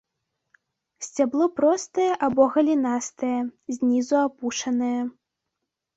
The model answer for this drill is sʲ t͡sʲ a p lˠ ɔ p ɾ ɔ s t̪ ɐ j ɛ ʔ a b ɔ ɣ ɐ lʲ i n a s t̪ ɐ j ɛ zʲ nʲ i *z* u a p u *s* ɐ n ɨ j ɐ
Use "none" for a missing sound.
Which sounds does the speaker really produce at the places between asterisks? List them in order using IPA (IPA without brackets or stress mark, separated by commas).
z, ʂ